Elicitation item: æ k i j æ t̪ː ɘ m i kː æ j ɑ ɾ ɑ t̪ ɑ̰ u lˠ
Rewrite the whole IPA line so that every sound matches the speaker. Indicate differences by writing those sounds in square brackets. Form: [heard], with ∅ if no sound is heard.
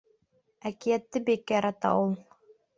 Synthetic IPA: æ k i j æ t̪ː ɘ [b] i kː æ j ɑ ɾ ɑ t̪ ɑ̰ u lˠ